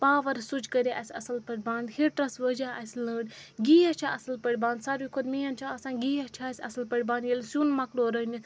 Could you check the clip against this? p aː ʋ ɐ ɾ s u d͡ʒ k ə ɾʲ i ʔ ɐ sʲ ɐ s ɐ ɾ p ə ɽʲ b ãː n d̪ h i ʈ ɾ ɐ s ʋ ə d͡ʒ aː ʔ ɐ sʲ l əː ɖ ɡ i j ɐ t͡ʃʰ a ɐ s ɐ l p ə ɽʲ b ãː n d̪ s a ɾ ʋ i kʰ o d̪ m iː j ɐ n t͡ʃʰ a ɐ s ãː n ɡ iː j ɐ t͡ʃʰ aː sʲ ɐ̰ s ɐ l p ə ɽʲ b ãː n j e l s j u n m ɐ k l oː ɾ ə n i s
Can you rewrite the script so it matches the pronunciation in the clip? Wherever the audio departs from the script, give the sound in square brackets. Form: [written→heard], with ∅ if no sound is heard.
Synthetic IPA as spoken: p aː ʋ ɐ ɾ s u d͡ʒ k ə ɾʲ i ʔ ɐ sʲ ɐ s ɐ [ɾ→l] p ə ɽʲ b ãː n d̪ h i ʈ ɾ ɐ s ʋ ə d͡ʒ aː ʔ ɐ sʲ l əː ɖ ɡ i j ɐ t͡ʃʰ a ɐ s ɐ l p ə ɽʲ b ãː n d̪ s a ɾ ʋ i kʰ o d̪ m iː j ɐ n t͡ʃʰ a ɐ s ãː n ɡ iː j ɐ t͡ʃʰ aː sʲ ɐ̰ s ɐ l p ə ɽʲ b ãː n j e l s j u n m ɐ k l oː ɾ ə n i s